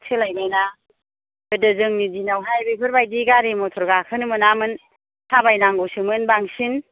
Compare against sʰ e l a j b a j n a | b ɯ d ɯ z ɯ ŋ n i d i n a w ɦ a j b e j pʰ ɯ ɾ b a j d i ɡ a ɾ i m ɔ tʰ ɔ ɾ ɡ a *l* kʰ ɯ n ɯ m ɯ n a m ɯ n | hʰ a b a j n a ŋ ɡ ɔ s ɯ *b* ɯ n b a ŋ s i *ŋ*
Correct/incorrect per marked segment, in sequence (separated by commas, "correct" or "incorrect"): incorrect, incorrect, incorrect